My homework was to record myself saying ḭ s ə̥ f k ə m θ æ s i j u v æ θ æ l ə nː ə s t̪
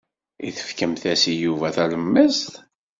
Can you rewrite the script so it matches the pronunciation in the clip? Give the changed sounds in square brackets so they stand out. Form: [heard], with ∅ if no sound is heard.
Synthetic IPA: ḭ [θ] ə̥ f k ə m θ æ s i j u v æ θ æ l ə [mː] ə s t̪